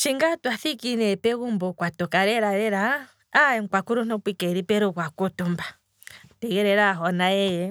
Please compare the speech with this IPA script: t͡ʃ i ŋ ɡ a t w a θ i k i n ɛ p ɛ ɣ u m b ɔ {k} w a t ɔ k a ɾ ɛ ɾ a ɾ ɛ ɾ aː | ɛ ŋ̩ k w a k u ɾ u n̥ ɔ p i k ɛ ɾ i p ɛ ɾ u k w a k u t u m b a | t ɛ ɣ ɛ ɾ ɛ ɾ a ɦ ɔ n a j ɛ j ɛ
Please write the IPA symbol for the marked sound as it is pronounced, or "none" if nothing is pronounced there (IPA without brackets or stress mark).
k